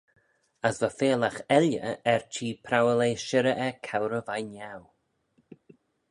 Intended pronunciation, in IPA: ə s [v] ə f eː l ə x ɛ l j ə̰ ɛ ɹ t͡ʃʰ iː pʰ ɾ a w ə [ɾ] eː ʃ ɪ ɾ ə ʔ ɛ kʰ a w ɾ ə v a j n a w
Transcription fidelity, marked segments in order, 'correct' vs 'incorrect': correct, incorrect

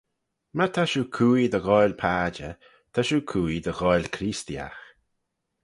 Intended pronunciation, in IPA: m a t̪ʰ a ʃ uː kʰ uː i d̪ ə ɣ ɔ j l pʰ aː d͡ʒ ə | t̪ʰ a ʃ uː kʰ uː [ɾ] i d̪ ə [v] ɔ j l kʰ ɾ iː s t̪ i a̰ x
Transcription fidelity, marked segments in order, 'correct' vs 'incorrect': incorrect, incorrect

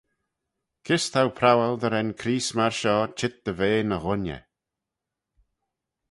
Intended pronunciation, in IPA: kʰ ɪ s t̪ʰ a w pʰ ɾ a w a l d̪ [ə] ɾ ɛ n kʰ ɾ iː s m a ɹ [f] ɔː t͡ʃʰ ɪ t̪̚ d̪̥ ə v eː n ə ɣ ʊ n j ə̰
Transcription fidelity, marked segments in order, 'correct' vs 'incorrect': correct, incorrect

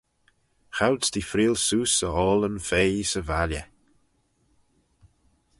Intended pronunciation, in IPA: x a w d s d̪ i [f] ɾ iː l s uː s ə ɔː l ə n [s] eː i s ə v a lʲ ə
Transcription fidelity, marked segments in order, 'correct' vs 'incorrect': correct, incorrect

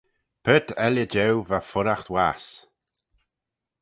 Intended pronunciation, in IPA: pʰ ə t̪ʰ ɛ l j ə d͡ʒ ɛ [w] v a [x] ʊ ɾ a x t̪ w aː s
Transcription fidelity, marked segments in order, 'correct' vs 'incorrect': correct, incorrect

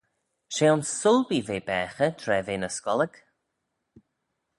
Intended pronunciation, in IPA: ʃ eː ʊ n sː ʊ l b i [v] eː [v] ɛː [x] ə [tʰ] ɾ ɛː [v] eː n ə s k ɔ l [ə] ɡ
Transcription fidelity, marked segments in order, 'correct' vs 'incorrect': correct, incorrect, correct, correct, correct, correct

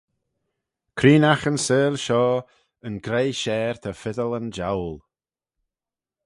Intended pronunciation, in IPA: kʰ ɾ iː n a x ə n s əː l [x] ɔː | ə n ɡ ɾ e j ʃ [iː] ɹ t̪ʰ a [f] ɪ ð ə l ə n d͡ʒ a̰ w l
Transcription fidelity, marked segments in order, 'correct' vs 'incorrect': incorrect, incorrect, correct

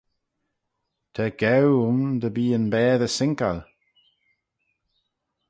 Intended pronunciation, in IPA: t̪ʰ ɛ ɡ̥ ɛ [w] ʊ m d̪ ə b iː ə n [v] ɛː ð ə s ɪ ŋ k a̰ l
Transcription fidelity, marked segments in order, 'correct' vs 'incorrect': correct, incorrect

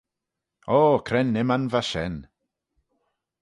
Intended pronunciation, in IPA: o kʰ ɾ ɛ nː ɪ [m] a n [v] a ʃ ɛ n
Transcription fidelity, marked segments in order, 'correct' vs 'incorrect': correct, correct

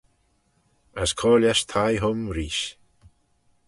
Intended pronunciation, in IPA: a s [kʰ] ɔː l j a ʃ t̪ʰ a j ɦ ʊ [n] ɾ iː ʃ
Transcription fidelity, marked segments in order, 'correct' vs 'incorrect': correct, incorrect

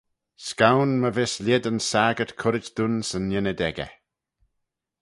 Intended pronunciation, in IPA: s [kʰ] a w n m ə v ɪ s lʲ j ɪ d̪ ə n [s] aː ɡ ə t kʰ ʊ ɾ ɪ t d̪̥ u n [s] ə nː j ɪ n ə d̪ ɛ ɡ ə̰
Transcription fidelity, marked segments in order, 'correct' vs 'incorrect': incorrect, correct, correct

